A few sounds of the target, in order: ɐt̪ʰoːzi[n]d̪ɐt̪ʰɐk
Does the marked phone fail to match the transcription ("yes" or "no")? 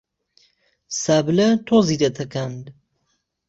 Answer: yes